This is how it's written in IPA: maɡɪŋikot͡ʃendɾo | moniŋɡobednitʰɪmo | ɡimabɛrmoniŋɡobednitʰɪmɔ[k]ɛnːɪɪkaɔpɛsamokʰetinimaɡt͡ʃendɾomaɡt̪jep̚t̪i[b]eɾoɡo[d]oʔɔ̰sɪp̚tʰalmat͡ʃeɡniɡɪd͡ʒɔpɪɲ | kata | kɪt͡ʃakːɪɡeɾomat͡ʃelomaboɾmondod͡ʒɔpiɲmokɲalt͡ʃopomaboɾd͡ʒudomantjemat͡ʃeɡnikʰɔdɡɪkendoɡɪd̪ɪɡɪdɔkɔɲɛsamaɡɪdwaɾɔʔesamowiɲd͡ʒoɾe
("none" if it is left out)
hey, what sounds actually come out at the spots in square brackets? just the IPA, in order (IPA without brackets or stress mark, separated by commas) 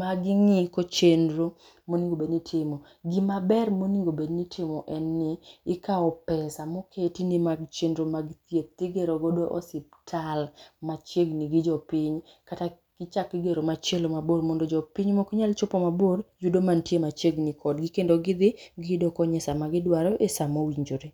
ʔ, ɡ, d